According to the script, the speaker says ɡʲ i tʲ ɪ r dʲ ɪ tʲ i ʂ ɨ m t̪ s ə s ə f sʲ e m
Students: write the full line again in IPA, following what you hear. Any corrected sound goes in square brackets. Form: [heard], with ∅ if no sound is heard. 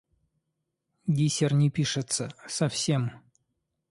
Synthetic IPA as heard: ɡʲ i [sʲ] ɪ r [nʲ] ɪ [pʲ] i ʂ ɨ [∅] t̪ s ə s [ɐ] f sʲ e m